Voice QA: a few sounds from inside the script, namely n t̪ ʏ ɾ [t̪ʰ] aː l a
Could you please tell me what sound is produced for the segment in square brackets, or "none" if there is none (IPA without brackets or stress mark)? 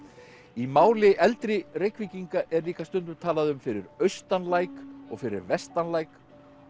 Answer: t̪ʰ